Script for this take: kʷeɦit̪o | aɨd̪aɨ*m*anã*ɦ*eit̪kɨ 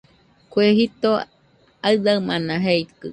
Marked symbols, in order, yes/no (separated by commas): yes, yes